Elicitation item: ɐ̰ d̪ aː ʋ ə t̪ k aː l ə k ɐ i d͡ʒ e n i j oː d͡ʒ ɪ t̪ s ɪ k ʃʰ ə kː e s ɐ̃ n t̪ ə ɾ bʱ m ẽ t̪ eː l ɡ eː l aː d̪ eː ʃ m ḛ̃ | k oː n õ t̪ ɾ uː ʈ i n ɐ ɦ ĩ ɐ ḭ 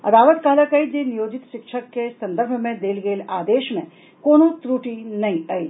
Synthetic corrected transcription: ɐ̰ d̪ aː ʋ ə t̪ k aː l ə k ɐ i d͡ʒ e n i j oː d͡ʒ ɪ t̪ ʃ ɪ k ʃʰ ə kː e s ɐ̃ n d̪ ə ɾ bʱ m ẽ d̪ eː l ɡ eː l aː d̪ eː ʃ m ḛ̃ | k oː n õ t̪ ɾ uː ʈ i n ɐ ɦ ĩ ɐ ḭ